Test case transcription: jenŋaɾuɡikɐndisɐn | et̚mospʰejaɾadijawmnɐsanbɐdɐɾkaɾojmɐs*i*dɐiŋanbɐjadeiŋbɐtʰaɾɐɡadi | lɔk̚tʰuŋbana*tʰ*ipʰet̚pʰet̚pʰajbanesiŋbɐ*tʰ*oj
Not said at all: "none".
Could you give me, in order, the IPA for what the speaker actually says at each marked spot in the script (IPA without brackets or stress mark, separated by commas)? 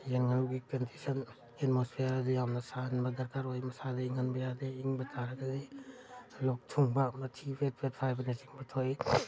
a, tʰ, tʰ